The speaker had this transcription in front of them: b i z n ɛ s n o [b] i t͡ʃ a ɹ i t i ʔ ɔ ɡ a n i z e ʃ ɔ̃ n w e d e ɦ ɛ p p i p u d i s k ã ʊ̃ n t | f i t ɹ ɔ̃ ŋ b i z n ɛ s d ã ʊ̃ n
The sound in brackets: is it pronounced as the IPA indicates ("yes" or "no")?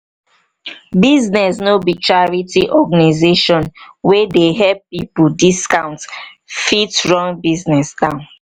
yes